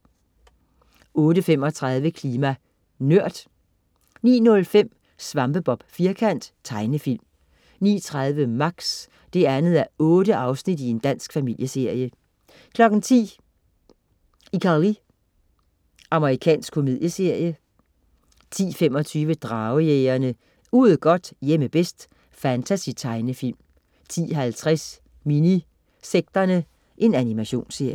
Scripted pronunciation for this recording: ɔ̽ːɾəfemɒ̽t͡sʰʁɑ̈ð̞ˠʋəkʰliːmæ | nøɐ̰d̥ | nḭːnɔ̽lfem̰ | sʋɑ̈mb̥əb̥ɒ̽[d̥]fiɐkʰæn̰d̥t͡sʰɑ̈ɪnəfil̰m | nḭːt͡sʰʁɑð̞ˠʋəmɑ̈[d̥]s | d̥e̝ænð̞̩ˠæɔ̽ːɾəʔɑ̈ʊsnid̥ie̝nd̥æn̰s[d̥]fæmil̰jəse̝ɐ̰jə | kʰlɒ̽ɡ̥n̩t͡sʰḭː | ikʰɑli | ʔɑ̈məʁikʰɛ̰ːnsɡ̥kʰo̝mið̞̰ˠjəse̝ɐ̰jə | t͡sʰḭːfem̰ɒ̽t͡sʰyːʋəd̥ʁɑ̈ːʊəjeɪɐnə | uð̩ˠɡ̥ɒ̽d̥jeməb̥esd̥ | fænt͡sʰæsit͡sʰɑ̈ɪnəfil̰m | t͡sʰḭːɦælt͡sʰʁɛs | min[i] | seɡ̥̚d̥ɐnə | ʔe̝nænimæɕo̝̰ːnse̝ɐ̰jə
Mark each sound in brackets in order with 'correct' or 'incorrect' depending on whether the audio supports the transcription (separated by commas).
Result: incorrect, incorrect, incorrect, correct